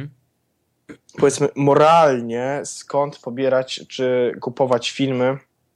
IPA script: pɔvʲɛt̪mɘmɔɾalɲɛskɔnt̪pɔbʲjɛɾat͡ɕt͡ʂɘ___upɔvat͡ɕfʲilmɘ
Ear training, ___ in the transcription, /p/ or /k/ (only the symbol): k